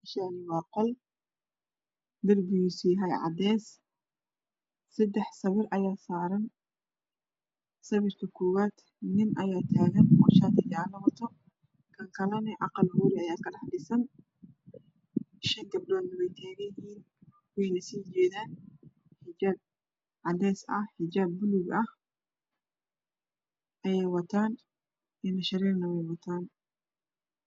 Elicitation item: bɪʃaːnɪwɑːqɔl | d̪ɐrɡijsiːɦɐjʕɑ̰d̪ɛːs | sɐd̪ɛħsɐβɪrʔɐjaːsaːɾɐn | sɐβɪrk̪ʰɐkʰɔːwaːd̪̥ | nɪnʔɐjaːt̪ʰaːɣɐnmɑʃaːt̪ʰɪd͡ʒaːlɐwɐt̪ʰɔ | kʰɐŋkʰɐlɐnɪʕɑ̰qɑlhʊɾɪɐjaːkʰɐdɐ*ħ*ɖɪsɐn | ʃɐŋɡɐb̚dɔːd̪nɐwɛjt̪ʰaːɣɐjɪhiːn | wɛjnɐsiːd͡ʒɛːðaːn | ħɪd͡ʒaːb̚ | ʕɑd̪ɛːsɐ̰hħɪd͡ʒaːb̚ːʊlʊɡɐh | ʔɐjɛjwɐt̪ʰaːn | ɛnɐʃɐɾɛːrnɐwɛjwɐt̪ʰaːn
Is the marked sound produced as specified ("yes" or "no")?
yes